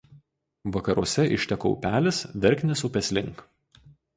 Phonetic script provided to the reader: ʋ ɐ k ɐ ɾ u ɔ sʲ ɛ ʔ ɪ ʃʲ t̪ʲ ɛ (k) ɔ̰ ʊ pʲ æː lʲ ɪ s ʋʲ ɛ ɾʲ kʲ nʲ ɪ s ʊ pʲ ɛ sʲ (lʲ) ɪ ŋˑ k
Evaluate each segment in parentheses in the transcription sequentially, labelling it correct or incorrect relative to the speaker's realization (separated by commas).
correct, correct